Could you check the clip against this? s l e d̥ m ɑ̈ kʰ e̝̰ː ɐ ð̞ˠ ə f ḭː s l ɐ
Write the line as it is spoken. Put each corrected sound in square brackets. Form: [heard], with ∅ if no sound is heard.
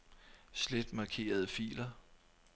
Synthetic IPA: s l e d̥ m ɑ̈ kʰ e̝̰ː ɐ ð̞ˠ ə f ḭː [∅] l ɐ